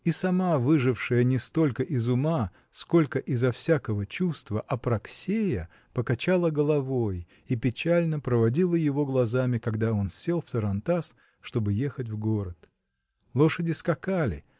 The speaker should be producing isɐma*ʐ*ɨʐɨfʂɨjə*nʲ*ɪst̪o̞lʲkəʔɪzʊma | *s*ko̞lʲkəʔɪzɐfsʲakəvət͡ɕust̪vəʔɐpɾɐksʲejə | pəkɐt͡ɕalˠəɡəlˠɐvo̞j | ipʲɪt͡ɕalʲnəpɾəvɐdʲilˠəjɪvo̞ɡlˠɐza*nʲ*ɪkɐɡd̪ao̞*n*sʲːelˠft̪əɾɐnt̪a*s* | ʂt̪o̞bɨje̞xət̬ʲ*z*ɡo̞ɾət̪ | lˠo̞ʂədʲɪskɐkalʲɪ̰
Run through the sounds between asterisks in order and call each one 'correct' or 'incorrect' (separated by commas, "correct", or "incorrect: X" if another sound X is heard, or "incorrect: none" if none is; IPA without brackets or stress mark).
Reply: incorrect: v, correct, correct, incorrect: mʲ, correct, correct, incorrect: v